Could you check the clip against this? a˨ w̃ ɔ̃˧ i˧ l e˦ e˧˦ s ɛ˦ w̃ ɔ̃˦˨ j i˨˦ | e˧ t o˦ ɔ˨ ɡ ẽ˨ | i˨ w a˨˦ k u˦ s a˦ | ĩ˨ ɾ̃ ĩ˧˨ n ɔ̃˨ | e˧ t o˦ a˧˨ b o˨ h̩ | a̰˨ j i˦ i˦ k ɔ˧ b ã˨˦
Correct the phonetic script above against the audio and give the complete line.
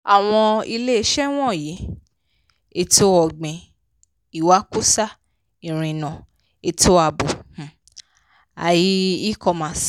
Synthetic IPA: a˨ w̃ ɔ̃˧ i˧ l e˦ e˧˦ ʃ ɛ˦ w̃ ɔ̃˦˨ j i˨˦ | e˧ t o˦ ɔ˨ ɡ͡b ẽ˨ | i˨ w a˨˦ k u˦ s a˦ | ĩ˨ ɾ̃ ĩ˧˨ n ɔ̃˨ | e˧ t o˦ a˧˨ b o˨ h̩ | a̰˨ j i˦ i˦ k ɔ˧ m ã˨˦